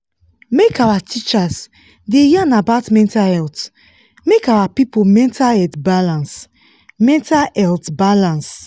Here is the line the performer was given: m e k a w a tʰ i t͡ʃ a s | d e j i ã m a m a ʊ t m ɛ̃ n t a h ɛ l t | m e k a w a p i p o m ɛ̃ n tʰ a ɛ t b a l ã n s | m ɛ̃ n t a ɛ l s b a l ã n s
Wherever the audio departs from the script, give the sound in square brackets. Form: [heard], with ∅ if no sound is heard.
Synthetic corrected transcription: m e k a w a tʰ i t͡ʃ a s | d e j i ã [n] a [b] a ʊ t m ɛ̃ n t a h ɛ l t | m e k a w a p i p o m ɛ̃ n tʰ a ɛ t b a l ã n s | m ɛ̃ n t a ɛ l [t] b a l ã n s